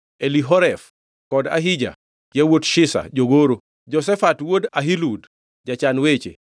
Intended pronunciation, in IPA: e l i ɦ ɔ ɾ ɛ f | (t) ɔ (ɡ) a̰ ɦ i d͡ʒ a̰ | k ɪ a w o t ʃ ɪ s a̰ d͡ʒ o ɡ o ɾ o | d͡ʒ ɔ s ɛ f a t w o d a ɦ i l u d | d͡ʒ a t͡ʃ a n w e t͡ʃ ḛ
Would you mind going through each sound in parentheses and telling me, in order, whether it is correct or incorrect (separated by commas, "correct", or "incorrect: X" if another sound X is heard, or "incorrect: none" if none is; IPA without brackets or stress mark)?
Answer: incorrect: k, incorrect: d